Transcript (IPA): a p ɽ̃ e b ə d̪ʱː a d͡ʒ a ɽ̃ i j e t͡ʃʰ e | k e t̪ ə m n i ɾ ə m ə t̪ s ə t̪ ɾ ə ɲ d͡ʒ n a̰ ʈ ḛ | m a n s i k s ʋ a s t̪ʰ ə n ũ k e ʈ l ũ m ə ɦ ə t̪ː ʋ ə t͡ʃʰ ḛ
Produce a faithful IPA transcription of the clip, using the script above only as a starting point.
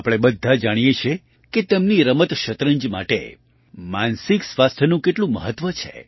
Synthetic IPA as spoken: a p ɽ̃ e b ə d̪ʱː a d͡ʒ a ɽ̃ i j e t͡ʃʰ e | k e t̪ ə m n i ɾ ə m ə t̪ ʃ ə t̪ ɾ ə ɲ d͡ʒ m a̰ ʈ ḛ | m a n s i k s ʋ a s t̪ʰ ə n ũ k e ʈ l ũ m ə ɦ ə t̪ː ʋ ə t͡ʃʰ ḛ

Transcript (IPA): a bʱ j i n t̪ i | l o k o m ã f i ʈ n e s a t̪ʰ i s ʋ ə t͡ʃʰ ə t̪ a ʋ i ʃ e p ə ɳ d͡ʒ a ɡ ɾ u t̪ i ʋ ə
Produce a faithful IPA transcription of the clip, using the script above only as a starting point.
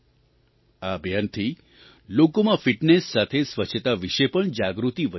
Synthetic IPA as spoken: a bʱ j a n t̪ʰ i | l o k o m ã f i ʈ n e sː a t̪ʰ e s ʋ ə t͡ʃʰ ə t̪ a ʋ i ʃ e p ə ɳ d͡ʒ a ɡ ɾ u t̪ i ʋ ə

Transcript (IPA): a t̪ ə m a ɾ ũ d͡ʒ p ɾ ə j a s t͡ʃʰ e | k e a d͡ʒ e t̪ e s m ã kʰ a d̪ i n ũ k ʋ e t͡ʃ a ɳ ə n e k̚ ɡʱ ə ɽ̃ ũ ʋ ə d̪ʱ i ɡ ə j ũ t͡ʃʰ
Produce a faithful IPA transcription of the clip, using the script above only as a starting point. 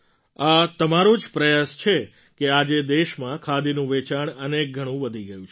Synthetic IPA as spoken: a t̪ ə m a ɾ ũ d͡ʒ p ɾ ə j a s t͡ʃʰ e | k e a d͡ʒ e d̪ e ʃ m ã kʰ a d̪ i n ũ ʋ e t͡ʃ a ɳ ə n e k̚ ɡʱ ə ɽ̃ ũ ʋ ə d̪ʱ i ɡ ə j ũ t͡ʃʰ

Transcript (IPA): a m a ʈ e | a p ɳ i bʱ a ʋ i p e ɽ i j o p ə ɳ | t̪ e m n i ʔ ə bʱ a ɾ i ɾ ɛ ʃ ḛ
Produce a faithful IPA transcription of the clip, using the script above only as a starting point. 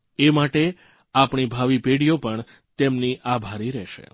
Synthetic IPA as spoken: e m a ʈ e | a p ɳ i bʱ a ʋ i p e ɽ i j o p ə ɳ | t̪ e m n i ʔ a bʱ a ɾ i ɾ ɛ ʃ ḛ

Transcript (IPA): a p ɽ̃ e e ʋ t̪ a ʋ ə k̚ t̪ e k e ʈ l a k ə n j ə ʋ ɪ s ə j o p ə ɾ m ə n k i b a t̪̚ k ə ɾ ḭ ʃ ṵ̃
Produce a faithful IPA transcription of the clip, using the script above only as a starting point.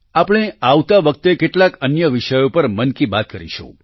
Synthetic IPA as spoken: a p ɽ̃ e a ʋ t̪ a ʋ ə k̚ t̪ e k e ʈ l a k ə n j ə ʋ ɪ ʃ ə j o p ə ɾ m ə n k i b a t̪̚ k ə ɾ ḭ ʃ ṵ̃

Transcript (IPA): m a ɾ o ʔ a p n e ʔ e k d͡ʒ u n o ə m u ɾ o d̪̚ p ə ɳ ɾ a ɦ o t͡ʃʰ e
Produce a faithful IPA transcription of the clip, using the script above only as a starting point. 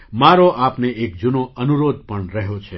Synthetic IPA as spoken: m a ɾ o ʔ a p n e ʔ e k d͡ʒ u n o ə n u ɾ o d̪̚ p ə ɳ ɾ ə ɦ o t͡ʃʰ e

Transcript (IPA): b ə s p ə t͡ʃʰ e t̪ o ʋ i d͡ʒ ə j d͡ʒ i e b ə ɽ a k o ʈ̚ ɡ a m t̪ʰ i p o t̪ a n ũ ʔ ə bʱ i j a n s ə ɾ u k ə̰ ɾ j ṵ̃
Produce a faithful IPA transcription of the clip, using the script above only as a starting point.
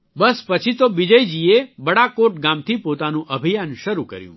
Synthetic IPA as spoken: b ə s p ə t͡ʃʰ i t̪ o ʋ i d͡ʒ ə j d͡ʒ i e b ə ɽ a k o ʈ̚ ɡ a m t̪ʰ i p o t̪ a n ũ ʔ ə bʱ i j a n ʃ ə ɾ u k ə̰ ɾ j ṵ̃

